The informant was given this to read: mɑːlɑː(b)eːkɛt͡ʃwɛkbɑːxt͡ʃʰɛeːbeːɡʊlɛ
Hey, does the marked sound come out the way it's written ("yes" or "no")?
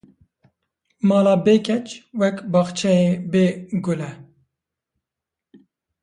yes